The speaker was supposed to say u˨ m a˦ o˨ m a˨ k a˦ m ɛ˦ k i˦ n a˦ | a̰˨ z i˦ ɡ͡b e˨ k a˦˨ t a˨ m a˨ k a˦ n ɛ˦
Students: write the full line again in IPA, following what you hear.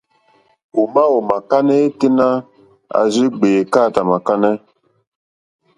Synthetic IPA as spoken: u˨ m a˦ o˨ m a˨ k a˦ n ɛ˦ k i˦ n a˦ | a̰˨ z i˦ ɡ͡b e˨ k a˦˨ t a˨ m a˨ k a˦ n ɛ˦

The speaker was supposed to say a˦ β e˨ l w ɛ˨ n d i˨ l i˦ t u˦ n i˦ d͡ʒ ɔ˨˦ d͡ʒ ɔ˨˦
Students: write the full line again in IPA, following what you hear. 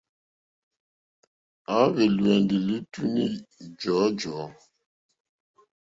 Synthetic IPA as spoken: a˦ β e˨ l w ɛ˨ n d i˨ l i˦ t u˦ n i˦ d͡ʒ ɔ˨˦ d͡ʒ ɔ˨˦

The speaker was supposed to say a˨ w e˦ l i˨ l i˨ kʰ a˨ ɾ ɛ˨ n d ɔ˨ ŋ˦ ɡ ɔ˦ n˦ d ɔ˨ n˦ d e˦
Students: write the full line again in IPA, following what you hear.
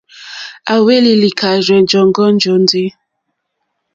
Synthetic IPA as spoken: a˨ w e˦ l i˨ l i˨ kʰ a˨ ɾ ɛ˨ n d͡ʒ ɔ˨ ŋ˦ ɡ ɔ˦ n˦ d͡ʒ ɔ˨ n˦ d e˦

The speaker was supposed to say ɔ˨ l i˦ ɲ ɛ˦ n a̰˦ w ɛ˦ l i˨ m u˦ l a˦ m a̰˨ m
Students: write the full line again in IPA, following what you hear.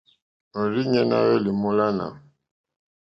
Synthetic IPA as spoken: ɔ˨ ɾ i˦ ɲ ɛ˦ n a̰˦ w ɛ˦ l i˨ m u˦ l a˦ n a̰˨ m

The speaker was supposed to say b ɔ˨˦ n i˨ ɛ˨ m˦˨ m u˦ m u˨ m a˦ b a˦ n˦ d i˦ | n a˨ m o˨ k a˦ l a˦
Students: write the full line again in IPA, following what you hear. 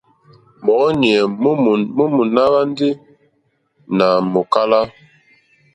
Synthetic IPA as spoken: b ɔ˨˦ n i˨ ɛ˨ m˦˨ m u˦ m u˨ n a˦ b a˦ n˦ d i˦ | n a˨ m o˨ k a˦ l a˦

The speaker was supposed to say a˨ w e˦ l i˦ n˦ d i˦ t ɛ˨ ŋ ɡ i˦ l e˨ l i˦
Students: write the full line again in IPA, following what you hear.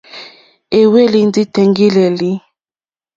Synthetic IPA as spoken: e˨ w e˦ l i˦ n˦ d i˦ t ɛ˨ ŋ ɡ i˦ l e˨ l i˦

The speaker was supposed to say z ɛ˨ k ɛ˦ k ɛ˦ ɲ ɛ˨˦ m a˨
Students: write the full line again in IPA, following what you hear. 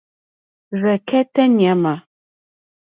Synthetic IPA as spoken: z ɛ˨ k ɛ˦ t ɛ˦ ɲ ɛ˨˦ m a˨

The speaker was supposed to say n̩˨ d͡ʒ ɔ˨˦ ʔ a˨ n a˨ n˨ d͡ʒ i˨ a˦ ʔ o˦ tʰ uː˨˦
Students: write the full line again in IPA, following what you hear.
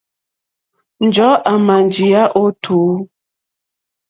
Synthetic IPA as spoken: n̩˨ d͡ʒ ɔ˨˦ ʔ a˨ m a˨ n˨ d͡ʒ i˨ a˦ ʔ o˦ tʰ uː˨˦

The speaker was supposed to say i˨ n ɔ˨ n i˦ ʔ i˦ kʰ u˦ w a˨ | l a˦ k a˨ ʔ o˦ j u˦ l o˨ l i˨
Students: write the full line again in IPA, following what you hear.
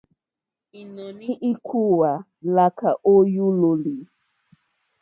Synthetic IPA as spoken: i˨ n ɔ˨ n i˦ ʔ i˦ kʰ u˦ w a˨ | l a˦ k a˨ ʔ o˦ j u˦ l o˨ l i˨

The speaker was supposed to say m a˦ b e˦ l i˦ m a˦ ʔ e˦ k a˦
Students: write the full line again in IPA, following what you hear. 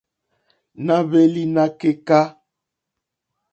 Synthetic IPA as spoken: n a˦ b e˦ l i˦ n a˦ k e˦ k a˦

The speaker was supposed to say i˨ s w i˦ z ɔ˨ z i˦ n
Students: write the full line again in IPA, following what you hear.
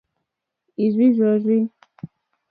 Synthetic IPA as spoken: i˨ z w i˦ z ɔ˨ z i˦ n

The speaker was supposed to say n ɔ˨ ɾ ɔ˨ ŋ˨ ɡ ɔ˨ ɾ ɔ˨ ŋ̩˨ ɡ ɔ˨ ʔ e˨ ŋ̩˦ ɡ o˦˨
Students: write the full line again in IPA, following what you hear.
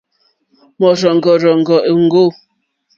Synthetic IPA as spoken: m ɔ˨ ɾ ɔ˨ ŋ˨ ɡ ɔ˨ ɾ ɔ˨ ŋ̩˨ ɡ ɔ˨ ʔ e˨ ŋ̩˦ ɡ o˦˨

